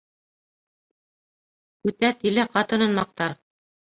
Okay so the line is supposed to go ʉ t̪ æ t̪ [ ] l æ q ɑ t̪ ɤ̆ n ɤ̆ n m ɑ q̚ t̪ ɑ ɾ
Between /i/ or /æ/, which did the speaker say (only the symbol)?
i